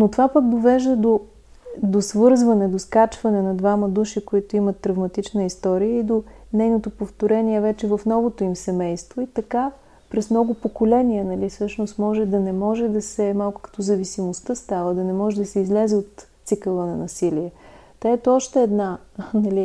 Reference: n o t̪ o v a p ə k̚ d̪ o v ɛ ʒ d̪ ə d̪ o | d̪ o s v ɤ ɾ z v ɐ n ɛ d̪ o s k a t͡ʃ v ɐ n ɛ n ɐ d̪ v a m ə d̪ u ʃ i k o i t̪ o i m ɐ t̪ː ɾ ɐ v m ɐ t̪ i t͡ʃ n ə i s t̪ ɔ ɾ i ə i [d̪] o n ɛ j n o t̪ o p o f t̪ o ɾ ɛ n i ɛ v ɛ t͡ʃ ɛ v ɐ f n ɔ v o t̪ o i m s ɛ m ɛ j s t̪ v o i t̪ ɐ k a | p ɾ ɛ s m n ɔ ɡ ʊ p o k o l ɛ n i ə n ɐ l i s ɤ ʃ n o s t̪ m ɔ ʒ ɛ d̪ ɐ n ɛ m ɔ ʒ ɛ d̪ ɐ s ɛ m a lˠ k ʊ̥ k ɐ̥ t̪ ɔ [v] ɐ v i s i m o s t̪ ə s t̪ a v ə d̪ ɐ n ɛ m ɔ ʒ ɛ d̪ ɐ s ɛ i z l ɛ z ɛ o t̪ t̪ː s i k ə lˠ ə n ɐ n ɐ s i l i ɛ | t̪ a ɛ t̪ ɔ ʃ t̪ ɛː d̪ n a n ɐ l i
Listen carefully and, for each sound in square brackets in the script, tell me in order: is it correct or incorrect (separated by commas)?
correct, incorrect